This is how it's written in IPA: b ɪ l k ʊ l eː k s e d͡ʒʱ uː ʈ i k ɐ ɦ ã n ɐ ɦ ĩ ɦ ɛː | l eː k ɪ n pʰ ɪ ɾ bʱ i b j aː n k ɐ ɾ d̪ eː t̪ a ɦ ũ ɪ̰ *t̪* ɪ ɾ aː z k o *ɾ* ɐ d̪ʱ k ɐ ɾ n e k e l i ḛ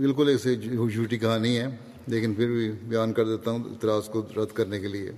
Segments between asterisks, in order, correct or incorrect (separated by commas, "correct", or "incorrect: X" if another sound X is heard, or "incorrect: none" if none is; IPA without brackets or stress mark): correct, correct